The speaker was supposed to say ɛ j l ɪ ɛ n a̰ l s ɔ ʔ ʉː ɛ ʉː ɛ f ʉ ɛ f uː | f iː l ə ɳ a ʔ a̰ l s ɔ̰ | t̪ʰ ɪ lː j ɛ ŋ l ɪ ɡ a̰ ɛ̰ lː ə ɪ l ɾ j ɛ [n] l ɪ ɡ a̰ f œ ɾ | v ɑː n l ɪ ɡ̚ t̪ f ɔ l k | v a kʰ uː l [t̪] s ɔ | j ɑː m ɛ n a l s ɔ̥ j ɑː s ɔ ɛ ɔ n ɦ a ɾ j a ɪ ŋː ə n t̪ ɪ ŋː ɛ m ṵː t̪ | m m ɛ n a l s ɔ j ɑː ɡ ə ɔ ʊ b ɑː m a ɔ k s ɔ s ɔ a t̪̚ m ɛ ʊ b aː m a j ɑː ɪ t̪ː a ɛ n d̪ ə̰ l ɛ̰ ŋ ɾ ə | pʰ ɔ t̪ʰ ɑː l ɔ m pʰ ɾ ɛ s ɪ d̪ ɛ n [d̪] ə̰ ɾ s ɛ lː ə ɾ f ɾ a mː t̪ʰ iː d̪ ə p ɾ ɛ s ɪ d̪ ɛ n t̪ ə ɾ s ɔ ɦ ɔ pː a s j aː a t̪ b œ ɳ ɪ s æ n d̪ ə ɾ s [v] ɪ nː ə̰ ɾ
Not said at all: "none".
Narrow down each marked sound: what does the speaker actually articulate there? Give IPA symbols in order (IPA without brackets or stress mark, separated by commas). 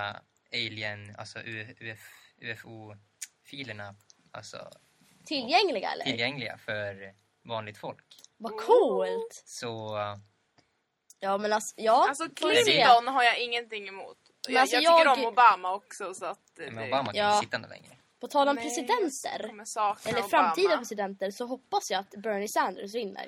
ŋ, t̪, t̪, v